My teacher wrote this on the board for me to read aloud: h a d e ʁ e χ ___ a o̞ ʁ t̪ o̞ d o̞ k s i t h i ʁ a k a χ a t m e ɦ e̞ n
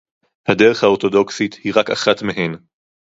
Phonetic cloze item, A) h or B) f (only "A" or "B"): A